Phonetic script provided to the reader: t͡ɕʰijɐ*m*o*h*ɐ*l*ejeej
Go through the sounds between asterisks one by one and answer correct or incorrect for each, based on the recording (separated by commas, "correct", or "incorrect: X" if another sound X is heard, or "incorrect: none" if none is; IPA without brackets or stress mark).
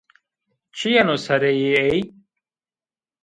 incorrect: n, incorrect: s, incorrect: ɾ